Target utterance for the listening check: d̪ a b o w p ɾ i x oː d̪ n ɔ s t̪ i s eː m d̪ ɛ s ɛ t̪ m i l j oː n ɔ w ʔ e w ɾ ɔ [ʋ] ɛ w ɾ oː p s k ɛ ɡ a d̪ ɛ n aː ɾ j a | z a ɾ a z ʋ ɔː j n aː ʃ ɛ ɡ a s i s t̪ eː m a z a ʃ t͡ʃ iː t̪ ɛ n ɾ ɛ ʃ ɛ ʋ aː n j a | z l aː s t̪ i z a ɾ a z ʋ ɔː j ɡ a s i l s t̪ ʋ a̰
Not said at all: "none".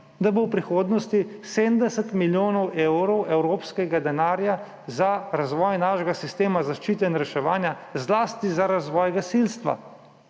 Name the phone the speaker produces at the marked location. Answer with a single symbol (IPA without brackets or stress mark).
w